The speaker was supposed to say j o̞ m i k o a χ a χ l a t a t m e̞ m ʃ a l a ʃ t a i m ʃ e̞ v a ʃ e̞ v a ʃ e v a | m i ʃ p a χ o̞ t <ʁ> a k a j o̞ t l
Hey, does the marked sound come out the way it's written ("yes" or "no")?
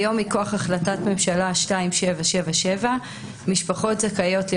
no